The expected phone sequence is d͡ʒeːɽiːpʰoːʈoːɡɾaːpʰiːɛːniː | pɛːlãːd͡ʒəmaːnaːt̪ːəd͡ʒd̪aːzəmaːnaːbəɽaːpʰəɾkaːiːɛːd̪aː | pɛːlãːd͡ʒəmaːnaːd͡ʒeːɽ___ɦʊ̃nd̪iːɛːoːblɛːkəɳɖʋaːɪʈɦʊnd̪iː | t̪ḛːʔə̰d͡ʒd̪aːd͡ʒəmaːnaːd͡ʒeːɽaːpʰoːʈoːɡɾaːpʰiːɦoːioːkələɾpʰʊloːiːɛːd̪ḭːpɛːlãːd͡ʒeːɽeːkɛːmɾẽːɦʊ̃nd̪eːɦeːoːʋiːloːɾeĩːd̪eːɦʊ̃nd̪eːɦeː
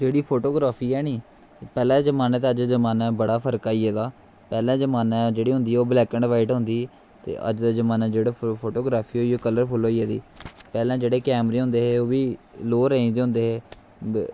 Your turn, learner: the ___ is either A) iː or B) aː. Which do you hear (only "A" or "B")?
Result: A